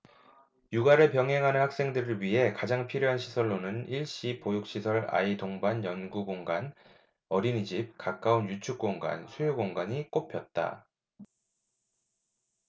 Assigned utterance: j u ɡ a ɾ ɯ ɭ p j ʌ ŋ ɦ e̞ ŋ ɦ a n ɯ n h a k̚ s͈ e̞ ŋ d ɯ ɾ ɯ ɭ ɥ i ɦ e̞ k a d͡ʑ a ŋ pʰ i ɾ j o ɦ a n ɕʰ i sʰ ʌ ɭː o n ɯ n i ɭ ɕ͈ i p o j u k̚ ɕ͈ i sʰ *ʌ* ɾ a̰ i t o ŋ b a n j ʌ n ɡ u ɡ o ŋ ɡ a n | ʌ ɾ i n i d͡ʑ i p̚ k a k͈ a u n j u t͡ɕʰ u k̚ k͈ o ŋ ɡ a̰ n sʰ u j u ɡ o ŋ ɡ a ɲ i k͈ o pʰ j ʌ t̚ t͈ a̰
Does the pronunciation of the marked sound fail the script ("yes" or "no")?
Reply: no